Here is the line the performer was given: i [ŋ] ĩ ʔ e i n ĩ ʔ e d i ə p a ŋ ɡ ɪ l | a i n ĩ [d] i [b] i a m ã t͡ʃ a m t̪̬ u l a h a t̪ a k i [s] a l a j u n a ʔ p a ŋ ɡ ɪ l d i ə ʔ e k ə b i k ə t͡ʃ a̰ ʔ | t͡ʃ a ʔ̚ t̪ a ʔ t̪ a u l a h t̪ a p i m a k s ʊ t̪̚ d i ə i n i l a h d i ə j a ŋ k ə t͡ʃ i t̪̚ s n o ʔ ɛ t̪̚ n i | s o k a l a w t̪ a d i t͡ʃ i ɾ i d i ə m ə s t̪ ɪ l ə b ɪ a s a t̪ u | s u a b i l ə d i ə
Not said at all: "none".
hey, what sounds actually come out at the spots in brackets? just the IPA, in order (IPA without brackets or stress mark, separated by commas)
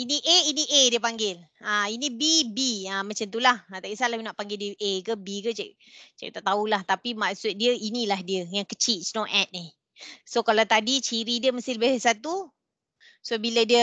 n, b, b, s